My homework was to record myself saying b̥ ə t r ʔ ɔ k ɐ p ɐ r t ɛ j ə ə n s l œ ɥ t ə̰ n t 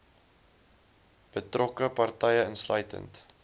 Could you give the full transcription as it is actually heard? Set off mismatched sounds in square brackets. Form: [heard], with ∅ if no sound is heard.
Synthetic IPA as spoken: b̥ ə t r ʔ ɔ k [ə] p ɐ r t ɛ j ə ə n s l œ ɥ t ə̰ n t